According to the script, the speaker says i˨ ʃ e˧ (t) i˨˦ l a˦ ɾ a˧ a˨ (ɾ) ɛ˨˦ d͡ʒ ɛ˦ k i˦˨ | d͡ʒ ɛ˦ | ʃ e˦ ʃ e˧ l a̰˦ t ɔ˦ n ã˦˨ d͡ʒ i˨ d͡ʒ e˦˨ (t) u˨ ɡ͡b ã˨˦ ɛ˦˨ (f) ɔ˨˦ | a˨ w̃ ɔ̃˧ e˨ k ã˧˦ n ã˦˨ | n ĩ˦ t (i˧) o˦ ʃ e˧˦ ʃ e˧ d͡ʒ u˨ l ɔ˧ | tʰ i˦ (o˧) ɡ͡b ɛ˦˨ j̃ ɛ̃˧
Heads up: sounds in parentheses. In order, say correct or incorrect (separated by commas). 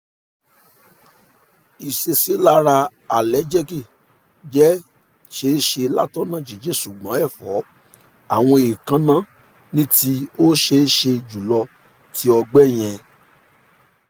incorrect, incorrect, incorrect, correct, correct, incorrect